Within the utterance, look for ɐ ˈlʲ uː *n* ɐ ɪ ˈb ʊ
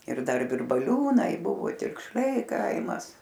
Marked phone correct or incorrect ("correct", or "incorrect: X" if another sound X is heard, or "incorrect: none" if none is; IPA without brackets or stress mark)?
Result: correct